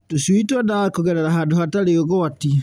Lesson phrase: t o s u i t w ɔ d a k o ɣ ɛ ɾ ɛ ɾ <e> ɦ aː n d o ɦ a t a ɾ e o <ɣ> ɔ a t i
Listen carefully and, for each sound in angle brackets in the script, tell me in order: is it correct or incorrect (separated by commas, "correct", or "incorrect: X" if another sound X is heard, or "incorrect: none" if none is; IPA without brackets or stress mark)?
incorrect: a, correct